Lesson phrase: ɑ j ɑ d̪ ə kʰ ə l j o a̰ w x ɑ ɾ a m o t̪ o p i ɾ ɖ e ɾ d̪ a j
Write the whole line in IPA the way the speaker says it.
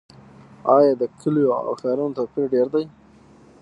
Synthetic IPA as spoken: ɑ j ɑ d̪ ə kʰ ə l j o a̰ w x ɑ ɾ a n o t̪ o p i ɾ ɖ e ɾ d̪ a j